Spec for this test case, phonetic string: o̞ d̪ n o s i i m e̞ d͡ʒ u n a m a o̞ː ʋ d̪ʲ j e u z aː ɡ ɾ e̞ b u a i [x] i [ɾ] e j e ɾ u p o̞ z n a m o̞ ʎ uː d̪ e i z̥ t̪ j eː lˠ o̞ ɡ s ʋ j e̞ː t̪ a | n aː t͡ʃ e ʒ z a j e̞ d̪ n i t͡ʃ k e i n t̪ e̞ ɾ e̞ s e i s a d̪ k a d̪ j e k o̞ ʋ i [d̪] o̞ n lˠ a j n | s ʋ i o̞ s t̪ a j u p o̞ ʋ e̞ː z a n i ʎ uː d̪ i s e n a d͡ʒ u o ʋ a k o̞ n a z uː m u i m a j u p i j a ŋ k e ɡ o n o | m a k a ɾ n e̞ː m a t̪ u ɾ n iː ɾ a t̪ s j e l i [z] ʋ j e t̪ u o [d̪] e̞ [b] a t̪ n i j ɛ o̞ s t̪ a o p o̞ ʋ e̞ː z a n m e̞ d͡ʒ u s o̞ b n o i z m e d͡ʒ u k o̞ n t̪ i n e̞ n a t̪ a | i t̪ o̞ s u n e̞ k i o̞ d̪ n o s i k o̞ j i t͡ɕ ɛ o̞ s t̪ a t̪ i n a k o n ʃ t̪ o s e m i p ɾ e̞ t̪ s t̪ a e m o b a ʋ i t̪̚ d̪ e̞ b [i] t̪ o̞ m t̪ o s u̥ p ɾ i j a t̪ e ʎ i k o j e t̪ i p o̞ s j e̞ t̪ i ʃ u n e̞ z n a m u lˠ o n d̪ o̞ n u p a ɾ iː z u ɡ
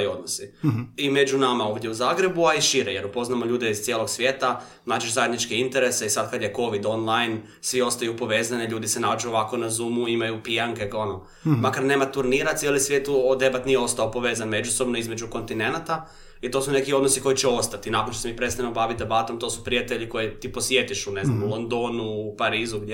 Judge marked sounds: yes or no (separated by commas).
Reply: no, yes, yes, no, yes, yes, no